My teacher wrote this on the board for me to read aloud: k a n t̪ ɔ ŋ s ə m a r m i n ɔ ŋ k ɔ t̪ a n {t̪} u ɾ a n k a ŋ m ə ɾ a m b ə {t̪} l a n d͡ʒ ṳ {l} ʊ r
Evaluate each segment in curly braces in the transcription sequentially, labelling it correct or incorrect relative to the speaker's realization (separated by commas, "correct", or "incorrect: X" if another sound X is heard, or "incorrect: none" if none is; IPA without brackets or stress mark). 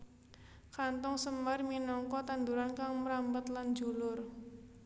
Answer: incorrect: d̪, correct, correct